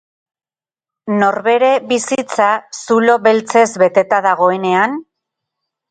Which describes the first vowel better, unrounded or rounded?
rounded